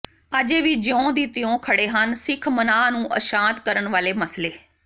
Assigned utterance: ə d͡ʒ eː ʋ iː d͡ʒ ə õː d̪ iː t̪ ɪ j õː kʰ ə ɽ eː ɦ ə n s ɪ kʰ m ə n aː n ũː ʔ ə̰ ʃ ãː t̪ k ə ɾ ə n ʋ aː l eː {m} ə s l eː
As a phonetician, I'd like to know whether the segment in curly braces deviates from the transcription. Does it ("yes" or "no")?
no